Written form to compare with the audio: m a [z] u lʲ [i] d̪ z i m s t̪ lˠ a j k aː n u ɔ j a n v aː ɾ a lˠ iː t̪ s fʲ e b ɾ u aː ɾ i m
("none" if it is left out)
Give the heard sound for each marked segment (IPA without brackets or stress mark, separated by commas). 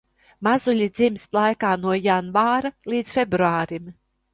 z, i